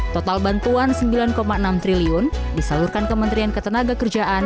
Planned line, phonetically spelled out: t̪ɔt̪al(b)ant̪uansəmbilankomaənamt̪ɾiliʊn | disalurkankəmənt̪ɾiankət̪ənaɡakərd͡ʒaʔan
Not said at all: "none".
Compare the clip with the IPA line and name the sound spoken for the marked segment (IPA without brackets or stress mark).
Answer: b